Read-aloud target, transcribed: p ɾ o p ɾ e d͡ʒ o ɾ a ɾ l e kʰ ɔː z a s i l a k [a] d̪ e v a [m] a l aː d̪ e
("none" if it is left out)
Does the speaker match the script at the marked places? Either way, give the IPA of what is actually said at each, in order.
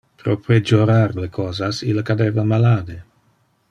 a, m

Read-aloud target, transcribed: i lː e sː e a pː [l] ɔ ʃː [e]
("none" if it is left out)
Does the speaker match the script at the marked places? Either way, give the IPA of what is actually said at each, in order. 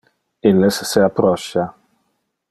ɾ, a

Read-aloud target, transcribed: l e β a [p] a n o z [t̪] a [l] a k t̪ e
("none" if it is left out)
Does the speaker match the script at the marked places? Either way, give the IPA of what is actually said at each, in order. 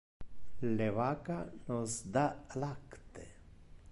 k, d̪, l

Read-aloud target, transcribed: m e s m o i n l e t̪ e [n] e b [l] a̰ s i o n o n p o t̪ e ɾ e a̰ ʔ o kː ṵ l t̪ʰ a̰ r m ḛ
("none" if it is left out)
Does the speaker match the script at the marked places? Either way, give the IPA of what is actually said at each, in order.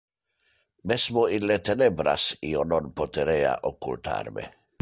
n, ɾ

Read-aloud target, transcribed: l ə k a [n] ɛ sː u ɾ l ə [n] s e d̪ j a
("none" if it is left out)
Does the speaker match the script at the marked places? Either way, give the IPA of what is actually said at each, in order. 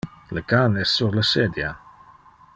n, none

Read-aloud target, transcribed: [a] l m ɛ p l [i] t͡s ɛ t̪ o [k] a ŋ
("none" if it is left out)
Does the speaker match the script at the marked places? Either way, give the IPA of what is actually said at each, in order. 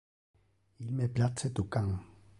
i, a, k

